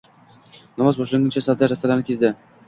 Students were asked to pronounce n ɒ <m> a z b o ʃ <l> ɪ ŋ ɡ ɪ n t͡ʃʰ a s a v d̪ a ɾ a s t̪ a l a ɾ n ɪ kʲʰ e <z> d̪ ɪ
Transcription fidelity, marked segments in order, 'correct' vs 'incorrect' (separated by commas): correct, correct, correct